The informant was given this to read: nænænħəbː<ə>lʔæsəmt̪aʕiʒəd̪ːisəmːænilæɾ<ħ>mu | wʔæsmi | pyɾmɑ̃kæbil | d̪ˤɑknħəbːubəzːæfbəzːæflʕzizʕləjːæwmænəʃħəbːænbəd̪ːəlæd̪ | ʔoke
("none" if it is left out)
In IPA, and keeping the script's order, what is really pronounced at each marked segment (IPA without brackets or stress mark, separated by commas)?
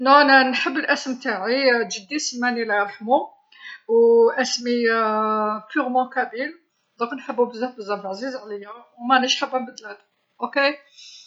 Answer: ə, ħ